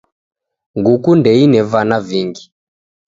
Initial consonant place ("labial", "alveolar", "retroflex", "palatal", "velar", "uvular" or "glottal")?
velar